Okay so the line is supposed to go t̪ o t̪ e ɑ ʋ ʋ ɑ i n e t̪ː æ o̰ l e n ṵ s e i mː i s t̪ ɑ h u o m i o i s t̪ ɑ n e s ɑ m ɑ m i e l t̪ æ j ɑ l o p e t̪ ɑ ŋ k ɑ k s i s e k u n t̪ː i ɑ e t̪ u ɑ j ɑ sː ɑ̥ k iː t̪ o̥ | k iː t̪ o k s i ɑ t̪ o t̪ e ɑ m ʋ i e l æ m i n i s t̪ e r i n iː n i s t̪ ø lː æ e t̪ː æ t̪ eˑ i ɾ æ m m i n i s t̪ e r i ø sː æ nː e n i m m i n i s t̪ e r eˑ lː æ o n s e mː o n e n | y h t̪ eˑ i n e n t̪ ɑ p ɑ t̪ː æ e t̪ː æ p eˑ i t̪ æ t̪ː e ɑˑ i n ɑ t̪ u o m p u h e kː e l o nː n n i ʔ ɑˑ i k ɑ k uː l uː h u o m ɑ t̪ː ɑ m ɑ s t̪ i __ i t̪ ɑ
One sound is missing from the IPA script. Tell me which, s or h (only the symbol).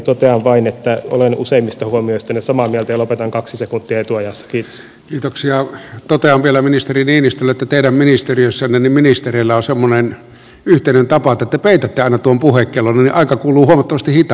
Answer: h